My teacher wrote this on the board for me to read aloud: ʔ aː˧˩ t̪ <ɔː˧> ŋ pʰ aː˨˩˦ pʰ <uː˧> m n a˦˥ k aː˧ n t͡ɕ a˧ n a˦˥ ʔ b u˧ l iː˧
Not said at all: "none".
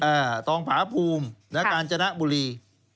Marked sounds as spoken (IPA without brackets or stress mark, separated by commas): ɔː˧, uː˧